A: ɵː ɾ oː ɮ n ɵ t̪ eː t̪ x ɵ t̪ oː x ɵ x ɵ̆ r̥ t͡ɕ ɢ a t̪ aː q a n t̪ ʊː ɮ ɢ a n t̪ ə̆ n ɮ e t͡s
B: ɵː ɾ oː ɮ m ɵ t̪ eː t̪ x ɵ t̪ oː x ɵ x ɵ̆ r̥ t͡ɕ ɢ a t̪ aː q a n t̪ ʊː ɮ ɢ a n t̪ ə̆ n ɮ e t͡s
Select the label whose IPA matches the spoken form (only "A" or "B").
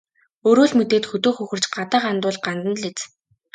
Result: B